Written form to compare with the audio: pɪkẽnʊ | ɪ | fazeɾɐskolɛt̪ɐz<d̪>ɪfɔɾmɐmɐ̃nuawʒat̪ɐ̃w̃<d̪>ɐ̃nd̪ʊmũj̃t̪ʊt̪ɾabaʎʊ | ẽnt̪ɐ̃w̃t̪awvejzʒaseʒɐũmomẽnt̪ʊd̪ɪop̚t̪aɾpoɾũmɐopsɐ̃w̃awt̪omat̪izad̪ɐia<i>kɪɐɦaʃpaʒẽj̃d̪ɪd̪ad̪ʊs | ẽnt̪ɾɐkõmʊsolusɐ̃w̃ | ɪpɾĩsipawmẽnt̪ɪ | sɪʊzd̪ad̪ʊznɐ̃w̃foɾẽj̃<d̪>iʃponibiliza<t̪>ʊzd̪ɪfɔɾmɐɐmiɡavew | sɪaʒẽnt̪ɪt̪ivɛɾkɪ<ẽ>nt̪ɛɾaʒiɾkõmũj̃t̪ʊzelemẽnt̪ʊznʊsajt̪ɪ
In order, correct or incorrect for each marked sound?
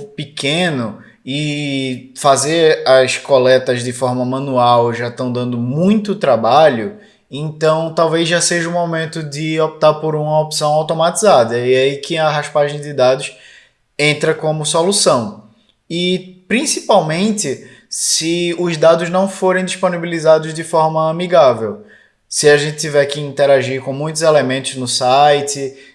correct, correct, correct, correct, incorrect: d̪, incorrect: ĩ

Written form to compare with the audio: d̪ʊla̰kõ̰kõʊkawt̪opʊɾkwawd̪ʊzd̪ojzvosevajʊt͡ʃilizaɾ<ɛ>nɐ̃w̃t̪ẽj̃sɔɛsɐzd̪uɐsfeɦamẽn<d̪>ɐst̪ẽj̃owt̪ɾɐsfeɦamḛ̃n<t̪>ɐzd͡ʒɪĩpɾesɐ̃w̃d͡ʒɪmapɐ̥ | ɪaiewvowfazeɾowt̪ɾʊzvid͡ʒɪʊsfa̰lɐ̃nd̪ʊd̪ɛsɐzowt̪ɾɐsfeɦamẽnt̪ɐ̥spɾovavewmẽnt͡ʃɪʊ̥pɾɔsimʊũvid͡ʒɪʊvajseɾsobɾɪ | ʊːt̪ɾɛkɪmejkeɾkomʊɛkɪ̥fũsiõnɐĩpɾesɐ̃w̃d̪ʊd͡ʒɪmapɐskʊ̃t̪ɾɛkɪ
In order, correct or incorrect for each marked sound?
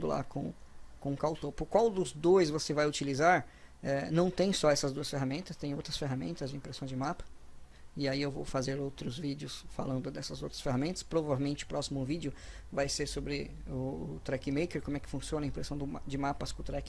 correct, incorrect: t̪, correct

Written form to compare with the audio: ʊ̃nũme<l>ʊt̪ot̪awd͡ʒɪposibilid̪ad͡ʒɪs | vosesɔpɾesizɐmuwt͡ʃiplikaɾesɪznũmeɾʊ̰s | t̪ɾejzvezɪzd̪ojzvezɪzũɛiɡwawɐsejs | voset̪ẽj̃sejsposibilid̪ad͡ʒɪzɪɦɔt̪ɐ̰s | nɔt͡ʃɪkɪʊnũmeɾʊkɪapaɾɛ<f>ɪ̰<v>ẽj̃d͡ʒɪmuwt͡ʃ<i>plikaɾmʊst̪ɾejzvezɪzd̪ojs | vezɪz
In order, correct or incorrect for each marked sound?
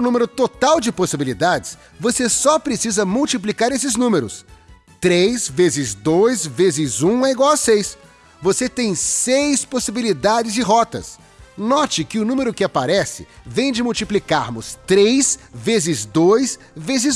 incorrect: ɾ, incorrect: s, correct, correct

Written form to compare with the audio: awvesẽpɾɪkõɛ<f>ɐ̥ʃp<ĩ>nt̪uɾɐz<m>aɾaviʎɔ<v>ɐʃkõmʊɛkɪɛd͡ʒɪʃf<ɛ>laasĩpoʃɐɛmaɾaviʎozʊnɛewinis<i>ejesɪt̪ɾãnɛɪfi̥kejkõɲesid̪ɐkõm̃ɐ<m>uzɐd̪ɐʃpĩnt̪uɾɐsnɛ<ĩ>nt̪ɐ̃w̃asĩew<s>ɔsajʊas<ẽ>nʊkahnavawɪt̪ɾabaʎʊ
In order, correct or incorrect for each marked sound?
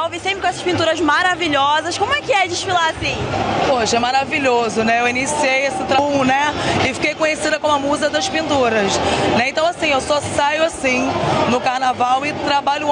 incorrect: s, correct, correct, incorrect: z, incorrect: i, correct, correct, incorrect: ẽ, correct, incorrect: ĩ

